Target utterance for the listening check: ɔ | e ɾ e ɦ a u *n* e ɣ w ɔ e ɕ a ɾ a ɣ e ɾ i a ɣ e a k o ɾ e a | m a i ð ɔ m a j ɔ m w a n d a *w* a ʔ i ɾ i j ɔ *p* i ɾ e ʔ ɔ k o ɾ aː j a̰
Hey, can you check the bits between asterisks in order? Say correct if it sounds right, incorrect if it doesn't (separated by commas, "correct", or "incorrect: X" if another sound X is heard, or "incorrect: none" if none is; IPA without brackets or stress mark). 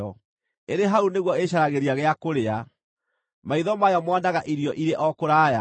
correct, incorrect: ɣ, incorrect: ʔ